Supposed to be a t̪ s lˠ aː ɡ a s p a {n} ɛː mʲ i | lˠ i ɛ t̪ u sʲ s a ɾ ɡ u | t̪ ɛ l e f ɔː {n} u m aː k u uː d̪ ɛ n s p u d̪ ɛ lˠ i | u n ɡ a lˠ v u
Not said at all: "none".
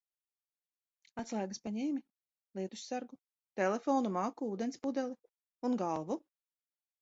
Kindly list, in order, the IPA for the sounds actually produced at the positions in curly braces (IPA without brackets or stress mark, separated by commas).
ɲ, n